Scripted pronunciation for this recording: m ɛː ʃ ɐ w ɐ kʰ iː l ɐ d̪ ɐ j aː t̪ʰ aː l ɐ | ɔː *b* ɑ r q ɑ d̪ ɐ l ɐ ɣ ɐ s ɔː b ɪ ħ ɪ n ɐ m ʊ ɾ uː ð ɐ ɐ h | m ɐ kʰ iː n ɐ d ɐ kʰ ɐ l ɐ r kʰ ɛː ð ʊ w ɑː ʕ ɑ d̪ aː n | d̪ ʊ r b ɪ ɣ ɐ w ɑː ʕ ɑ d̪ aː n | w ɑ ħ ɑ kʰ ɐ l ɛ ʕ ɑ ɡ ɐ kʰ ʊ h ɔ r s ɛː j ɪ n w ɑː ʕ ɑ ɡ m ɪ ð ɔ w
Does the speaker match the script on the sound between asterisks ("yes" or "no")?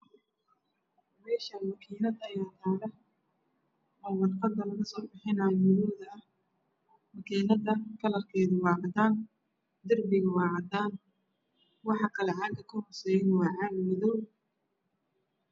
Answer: no